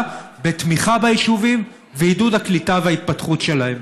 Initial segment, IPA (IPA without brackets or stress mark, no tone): b